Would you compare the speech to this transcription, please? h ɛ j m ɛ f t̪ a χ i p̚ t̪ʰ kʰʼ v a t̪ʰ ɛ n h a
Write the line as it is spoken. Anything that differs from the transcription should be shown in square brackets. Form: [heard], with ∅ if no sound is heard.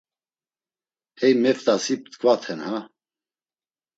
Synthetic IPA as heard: h ɛ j m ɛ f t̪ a [s] i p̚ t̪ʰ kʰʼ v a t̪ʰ ɛ n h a